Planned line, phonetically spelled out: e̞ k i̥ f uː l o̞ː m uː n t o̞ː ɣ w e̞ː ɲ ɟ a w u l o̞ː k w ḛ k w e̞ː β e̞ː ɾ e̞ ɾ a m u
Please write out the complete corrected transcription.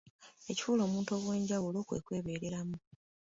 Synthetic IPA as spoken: e̞ c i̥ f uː l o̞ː m uː n t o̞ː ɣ w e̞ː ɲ ɟ a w u l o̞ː k w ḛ k w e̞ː β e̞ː ɾ e̞ ɾ a m u